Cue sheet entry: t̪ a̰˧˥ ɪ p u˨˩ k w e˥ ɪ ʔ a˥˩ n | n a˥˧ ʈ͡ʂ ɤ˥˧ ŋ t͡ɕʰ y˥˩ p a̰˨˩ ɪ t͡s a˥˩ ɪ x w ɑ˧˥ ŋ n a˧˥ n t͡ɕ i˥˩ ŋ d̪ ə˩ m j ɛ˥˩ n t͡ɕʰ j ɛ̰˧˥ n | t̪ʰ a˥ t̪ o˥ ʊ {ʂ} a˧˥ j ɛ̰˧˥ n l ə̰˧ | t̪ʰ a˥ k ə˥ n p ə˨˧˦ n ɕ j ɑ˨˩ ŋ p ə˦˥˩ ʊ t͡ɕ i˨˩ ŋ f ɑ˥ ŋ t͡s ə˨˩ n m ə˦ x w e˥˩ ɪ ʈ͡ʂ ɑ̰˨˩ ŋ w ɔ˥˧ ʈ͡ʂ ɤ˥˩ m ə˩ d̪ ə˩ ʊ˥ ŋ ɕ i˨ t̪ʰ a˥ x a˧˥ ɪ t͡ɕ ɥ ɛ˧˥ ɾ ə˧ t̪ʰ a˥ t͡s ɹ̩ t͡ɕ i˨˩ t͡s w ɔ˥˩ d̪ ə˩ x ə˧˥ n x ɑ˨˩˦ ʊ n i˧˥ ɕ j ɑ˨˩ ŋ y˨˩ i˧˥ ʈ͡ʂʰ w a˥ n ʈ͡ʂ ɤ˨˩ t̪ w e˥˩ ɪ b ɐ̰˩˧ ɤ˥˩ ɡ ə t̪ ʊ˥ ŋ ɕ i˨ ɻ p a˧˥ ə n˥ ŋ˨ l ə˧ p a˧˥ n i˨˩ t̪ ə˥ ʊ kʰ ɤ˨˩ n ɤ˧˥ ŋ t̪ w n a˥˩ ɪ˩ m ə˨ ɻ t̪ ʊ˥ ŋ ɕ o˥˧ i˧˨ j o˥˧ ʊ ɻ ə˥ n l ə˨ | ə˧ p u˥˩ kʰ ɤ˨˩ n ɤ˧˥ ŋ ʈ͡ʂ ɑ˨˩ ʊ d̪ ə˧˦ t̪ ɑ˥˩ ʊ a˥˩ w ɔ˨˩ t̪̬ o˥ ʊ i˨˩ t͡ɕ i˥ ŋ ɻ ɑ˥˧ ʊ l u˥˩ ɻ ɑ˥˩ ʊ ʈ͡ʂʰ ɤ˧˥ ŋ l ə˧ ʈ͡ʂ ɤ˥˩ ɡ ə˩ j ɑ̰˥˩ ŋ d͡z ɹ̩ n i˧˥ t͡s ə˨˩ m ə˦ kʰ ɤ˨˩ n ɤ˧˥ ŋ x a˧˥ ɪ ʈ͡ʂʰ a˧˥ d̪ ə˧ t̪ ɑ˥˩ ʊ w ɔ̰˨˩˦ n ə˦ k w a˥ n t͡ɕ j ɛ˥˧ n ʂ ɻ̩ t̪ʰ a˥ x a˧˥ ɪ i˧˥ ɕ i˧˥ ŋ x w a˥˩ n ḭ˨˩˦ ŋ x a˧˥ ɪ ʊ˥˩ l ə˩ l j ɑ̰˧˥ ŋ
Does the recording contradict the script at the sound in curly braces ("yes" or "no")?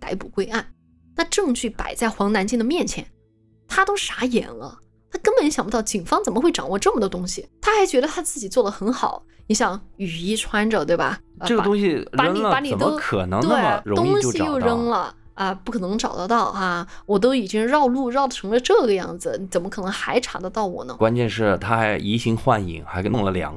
no